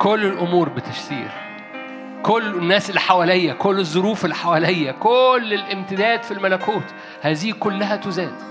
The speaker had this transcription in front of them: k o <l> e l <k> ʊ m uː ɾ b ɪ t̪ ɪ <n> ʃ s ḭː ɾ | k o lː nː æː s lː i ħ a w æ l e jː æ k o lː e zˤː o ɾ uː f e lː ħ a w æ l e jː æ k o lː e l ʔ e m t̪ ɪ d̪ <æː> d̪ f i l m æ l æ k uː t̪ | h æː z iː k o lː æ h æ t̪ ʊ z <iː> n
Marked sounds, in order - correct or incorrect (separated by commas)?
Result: incorrect, incorrect, incorrect, correct, incorrect